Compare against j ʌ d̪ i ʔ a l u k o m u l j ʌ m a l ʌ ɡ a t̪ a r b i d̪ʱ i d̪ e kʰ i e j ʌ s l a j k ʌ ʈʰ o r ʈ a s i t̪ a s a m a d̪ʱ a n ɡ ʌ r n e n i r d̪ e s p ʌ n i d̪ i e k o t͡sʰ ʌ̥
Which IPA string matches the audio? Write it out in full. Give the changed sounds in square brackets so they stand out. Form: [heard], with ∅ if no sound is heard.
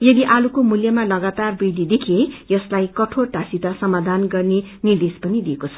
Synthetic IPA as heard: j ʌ d̪ i ʔ a l u k o m u l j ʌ m a l ʌ ɡ a t̪ a r b i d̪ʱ i d̪ e kʰ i e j ʌ s l a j k ʌ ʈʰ o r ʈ a s i t̪ a s [ʌ] m a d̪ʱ a n ɡ ʌ r n e n i r d̪ e s p ʌ n i d̪ i e k o t͡sʰ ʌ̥